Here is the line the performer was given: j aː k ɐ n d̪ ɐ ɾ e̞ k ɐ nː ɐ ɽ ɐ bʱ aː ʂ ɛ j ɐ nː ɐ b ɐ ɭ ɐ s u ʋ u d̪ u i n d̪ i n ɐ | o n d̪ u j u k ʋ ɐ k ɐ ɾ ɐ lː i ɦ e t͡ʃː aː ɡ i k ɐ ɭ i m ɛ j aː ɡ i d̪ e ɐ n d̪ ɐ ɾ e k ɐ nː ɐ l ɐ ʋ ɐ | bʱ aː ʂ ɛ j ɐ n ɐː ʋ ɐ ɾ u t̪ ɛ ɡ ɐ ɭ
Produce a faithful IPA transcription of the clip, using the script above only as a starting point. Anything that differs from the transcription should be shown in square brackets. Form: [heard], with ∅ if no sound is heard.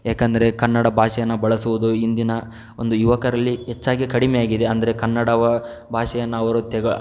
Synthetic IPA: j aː k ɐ n d̪ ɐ ɾ e̞ k ɐ nː ɐ ɽ ɐ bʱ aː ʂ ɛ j ɐ nː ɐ b ɐ ɭ ɐ s u ʋ u d̪ u i n d̪ i n ɐ | o n d̪ u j u [∅] ʋ ɐ k ɐ ɾ ɐ lː i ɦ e t͡ʃː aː ɡ i k ɐ [ɽ] i m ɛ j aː ɡ i d̪ e ɐ n d̪ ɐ ɾ e k ɐ nː ɐ [ɽ] ɐ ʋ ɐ | bʱ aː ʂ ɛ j ɐ [nː] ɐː ʋ ɐ ɾ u t̪ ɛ ɡ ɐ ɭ